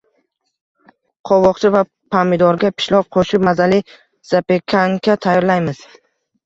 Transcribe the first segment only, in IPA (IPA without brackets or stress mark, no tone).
qʰ